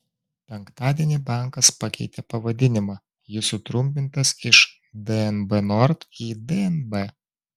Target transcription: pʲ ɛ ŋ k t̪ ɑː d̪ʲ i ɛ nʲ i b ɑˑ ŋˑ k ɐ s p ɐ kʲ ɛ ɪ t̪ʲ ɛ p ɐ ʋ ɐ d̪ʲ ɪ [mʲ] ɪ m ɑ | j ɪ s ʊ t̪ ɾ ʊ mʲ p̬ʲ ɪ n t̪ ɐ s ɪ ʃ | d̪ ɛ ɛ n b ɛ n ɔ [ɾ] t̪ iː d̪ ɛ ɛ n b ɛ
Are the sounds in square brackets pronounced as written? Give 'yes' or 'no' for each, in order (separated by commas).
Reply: no, yes